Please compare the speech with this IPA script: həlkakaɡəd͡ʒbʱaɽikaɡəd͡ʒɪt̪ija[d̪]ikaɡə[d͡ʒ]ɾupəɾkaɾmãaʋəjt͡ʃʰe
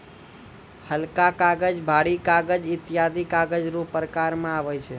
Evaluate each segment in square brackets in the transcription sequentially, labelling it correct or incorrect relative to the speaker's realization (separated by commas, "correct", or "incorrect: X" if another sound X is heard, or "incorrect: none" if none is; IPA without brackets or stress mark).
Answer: correct, correct